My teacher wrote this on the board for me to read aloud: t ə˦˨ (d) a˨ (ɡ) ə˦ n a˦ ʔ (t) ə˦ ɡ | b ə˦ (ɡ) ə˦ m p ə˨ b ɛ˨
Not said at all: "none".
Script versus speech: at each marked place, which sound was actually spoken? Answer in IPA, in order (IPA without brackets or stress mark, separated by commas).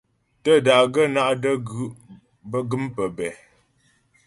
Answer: d, ɡ, d, ɡ